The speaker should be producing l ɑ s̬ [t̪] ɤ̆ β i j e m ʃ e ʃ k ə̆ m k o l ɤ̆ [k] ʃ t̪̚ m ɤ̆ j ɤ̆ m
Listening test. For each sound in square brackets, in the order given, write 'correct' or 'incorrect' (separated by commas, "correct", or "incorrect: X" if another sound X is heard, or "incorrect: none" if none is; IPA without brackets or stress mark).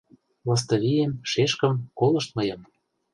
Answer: correct, incorrect: none